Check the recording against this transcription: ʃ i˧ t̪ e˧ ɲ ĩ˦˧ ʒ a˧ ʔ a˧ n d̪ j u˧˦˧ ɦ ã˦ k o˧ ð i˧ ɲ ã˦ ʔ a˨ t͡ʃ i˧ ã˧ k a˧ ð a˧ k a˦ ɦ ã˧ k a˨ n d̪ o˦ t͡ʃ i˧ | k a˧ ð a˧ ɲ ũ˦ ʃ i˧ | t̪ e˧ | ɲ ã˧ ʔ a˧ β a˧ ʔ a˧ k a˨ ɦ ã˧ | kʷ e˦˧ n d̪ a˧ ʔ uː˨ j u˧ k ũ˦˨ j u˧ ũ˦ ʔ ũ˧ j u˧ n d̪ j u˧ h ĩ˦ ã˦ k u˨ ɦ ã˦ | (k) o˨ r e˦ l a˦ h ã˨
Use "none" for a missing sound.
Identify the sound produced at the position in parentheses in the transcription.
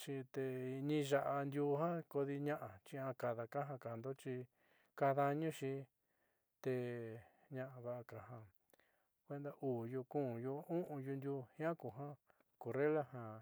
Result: k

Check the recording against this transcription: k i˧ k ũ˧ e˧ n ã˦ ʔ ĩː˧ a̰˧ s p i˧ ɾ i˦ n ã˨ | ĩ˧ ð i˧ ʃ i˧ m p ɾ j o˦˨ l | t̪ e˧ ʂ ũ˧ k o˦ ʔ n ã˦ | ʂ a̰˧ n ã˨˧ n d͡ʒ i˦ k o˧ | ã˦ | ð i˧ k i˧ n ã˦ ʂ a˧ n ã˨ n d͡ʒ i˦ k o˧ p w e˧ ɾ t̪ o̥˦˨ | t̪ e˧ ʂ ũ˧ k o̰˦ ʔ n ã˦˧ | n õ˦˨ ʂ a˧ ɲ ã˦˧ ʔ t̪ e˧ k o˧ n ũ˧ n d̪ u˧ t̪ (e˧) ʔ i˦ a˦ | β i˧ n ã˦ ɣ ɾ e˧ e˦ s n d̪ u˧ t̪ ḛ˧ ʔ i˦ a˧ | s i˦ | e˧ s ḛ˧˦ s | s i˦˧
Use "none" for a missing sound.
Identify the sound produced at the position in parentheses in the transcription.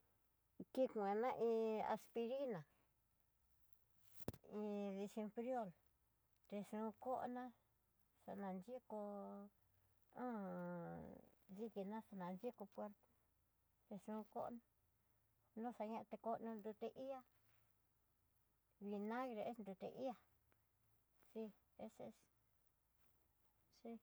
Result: e˧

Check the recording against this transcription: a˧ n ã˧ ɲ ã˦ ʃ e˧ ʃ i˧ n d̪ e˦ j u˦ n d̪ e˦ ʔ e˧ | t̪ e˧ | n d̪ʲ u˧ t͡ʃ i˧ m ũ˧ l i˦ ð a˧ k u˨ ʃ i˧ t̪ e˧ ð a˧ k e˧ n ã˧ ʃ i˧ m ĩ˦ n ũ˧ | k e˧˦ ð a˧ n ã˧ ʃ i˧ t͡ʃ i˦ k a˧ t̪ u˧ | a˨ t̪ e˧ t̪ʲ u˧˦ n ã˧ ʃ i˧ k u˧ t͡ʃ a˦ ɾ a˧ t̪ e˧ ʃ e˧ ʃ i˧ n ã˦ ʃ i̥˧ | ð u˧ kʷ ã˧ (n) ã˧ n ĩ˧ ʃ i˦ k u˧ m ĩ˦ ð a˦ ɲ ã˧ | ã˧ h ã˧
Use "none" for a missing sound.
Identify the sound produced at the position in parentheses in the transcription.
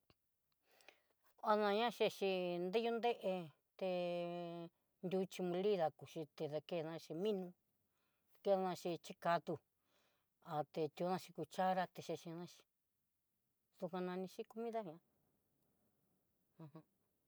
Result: n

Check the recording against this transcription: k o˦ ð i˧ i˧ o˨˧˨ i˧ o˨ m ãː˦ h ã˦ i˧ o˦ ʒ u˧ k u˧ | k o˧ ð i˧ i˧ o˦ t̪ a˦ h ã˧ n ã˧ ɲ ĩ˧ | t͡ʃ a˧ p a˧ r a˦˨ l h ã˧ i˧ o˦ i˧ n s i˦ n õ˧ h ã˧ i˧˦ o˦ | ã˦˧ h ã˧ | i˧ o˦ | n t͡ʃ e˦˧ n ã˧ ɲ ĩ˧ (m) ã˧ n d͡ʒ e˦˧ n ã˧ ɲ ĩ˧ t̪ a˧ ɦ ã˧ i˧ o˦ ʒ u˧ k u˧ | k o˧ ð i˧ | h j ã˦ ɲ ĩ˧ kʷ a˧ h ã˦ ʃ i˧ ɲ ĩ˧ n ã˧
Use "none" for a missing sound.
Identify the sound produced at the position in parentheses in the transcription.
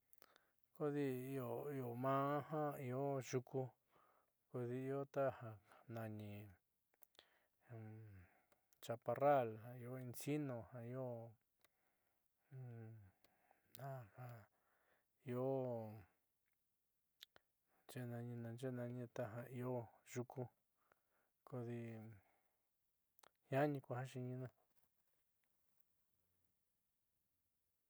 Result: n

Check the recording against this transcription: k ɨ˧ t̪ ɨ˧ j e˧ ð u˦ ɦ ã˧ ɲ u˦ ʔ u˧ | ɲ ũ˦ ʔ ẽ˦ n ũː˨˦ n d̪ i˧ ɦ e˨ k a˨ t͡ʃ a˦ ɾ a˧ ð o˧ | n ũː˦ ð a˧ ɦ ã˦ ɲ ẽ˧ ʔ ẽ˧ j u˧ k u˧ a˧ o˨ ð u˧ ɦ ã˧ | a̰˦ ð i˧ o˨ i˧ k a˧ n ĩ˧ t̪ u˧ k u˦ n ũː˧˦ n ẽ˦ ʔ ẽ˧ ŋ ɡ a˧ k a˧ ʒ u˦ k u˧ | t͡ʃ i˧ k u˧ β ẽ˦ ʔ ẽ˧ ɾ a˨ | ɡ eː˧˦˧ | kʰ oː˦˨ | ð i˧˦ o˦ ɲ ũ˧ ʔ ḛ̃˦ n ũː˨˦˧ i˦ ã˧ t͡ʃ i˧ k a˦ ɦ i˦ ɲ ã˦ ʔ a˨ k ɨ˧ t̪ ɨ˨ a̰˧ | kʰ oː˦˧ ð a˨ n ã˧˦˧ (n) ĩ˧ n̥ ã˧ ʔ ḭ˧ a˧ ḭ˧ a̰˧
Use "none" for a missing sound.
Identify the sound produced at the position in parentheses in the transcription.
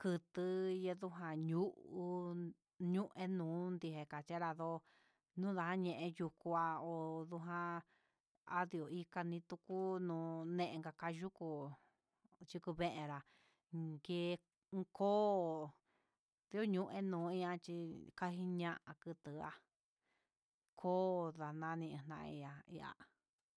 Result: n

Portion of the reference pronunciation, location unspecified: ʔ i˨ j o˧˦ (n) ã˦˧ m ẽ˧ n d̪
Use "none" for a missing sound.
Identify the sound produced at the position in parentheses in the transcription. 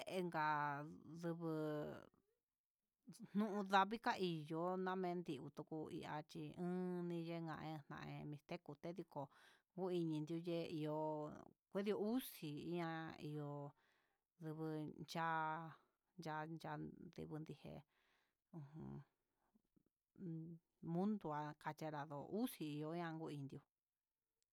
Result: n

